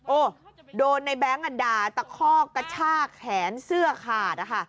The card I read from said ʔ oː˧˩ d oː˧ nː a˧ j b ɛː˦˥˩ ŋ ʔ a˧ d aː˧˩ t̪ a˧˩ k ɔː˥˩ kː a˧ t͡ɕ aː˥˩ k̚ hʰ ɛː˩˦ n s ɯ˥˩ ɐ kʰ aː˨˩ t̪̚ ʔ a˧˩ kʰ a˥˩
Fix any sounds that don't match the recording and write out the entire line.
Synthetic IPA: ʔ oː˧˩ d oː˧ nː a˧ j b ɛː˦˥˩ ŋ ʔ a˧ d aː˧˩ t̪ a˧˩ kʰ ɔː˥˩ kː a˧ t͡ɕʰ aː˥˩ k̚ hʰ ɛː˩˦ n s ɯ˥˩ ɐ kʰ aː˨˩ t̪̚ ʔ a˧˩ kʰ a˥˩